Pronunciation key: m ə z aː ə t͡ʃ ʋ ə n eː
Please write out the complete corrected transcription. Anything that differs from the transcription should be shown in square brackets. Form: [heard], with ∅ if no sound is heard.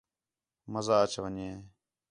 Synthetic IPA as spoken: m ə z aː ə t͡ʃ ʋ ə [ɲ] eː